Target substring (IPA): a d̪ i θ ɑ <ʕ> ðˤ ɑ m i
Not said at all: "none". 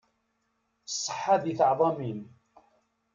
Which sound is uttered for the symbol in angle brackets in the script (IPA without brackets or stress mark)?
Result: ʕ